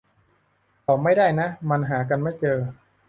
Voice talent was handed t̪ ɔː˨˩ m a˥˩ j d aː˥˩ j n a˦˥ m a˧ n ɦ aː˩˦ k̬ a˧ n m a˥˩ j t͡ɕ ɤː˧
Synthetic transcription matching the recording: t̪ ɔː˨˩ m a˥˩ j d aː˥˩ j n a˦˥ m a˧ n ɦ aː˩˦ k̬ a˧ n m a˥˩ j t͡ɕ ɤː˧